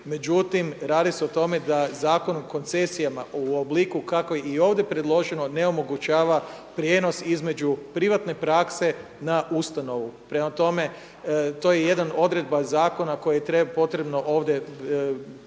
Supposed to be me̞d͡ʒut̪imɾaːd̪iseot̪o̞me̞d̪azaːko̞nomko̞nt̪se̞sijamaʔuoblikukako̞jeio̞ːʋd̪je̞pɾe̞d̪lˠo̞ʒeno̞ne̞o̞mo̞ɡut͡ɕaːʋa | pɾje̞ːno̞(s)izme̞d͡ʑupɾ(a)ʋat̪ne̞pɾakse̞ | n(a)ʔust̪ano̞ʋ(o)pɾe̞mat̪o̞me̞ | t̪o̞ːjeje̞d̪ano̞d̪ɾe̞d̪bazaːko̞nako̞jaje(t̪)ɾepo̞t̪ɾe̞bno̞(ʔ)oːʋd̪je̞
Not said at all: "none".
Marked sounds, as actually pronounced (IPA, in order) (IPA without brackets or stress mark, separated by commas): s, i, a, u, t̪, ʔ